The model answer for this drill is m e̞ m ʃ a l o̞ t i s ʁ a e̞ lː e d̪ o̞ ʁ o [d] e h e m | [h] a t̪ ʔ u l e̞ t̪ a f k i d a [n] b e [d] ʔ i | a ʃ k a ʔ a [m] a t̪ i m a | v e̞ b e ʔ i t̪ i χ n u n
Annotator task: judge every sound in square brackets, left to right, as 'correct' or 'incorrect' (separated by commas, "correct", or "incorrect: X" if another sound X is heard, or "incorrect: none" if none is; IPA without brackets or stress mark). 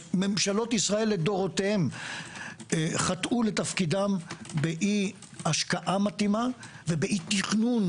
incorrect: t, incorrect: χ, incorrect: m, incorrect: none, correct